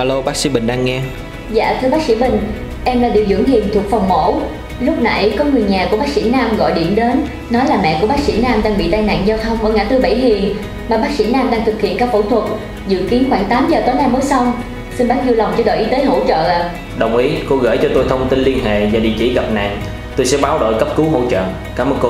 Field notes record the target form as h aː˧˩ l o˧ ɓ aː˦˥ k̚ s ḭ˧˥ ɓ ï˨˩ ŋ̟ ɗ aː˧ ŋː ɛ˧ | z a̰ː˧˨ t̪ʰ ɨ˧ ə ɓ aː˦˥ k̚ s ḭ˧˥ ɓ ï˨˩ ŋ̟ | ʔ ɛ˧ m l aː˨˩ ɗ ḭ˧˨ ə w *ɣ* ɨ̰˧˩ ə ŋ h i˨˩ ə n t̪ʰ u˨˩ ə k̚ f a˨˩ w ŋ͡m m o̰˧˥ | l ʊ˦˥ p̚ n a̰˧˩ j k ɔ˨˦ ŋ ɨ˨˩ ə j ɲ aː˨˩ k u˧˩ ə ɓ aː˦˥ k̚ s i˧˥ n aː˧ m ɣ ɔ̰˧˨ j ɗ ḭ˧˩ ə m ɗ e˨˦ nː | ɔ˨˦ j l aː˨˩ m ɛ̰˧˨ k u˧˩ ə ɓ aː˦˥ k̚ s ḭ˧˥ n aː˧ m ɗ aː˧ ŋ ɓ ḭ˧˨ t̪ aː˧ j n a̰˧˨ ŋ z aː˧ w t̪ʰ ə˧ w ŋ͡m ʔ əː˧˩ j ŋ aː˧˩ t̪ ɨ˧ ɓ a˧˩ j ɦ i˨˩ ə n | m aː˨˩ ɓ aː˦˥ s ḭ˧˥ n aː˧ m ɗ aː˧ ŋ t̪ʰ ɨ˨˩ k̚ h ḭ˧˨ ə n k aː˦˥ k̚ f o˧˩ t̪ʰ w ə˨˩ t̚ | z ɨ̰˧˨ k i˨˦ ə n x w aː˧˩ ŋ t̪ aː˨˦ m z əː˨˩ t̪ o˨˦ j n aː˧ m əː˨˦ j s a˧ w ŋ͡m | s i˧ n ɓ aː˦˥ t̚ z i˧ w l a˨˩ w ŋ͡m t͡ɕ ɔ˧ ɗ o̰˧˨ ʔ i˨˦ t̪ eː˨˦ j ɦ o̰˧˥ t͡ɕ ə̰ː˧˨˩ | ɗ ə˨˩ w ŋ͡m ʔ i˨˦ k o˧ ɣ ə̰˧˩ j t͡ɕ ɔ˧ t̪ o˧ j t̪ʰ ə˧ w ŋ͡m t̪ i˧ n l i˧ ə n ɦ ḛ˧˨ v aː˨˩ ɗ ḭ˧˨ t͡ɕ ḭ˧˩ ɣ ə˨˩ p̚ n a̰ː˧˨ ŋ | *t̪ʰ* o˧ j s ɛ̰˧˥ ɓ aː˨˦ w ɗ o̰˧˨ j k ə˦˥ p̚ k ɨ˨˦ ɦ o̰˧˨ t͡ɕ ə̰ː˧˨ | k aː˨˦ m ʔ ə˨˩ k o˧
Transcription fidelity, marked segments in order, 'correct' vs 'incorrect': incorrect: z, incorrect: t̪

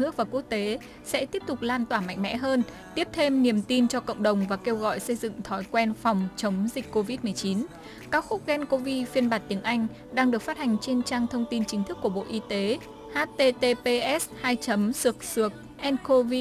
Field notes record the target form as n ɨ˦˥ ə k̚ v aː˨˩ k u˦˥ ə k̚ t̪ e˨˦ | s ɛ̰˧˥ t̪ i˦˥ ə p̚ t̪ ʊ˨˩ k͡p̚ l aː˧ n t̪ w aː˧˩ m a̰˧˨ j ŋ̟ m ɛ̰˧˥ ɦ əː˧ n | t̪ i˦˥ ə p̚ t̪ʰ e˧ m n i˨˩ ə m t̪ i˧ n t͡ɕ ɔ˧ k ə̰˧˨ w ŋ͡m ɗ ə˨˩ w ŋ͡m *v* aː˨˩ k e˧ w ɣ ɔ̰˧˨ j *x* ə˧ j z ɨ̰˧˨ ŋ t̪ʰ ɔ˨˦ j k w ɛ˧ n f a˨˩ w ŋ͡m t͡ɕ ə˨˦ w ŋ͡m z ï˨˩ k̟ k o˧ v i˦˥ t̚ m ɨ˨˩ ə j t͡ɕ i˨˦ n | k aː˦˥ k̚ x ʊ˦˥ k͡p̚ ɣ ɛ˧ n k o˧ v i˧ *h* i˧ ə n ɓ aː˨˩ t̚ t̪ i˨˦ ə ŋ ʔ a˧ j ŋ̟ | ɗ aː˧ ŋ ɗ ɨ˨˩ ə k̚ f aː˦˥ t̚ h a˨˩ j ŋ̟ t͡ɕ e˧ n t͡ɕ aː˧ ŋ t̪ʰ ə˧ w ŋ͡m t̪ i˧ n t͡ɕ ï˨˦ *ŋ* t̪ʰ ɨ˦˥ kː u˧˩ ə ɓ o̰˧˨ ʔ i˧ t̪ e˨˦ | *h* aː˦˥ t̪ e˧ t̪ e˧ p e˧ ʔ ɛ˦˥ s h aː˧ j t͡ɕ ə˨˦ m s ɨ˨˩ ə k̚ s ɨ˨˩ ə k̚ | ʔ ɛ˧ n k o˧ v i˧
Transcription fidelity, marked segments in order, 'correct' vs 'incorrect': correct, incorrect: s, incorrect: f, correct, correct

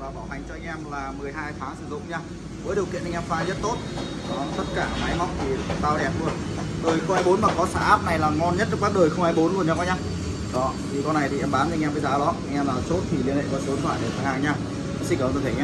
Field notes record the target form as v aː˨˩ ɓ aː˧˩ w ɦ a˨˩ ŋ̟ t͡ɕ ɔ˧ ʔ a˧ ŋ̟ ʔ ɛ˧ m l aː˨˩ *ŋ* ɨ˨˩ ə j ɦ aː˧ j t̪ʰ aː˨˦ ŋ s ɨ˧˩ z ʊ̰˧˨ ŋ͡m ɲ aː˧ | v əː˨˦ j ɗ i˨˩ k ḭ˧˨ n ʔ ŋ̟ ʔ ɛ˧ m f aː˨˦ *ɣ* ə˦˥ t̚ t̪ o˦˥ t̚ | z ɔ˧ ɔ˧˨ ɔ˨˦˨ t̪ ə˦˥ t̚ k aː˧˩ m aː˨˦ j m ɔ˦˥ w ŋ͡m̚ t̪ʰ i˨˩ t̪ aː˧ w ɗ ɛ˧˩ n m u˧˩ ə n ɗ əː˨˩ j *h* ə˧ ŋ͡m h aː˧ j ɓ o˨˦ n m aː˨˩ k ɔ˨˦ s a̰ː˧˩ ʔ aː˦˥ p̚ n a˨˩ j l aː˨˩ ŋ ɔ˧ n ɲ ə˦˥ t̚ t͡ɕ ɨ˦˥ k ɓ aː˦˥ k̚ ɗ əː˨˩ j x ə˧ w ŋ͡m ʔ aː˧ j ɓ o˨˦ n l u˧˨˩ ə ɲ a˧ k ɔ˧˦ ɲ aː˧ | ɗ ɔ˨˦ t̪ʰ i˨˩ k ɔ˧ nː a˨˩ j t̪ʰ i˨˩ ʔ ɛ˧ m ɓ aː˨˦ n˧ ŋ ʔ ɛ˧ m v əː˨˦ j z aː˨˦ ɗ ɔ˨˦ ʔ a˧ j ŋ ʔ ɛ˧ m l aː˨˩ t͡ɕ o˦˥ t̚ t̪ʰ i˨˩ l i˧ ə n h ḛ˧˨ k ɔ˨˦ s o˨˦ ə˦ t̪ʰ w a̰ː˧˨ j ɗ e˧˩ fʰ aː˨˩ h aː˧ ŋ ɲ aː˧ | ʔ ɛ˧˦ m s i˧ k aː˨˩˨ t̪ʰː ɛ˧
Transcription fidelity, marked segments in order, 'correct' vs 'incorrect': incorrect: m, incorrect: z, incorrect: x

